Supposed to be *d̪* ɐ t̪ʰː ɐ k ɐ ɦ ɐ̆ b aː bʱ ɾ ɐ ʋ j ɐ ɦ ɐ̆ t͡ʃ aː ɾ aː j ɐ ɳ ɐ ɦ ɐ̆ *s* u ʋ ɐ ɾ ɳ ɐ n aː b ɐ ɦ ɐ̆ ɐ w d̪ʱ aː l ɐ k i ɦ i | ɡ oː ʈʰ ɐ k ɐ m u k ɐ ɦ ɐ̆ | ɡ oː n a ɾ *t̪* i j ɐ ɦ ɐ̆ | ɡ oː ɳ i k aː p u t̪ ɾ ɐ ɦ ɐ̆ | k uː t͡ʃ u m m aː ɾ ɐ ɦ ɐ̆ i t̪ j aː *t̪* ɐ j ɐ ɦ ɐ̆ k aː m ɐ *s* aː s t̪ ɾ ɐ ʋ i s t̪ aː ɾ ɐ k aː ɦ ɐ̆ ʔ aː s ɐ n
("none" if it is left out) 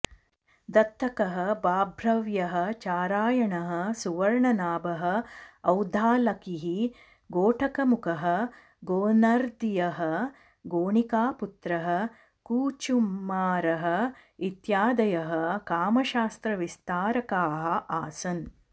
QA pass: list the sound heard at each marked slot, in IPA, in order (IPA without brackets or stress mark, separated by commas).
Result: d̪, s, d̪, d̪, ʃ